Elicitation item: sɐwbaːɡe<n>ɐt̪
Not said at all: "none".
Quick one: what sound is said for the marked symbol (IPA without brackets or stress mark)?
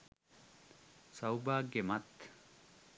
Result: m